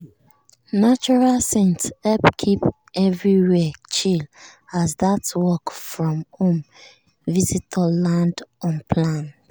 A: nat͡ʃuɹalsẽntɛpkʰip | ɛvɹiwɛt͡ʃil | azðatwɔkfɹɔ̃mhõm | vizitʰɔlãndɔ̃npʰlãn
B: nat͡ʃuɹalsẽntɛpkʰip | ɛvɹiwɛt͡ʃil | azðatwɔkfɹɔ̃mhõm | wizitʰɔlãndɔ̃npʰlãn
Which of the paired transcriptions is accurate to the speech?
A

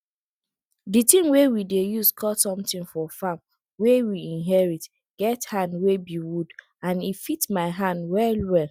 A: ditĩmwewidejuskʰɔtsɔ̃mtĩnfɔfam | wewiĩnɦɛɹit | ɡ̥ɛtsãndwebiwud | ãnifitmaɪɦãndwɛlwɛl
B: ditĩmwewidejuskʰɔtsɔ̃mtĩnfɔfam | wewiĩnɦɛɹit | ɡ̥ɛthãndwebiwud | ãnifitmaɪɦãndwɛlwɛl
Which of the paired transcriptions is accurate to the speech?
B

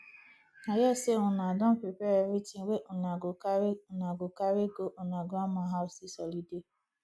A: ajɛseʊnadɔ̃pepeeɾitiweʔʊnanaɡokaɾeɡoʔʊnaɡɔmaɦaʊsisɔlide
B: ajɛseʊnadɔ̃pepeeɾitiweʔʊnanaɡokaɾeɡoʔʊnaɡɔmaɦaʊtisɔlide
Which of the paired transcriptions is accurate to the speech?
A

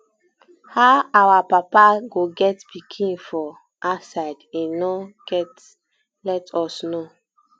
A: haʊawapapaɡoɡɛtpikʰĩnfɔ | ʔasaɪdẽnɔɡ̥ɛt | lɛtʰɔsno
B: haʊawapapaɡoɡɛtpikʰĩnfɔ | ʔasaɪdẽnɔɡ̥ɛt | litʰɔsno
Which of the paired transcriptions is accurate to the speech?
A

